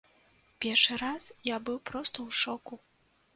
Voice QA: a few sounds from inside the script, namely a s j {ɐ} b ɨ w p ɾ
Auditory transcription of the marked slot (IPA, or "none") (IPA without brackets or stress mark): a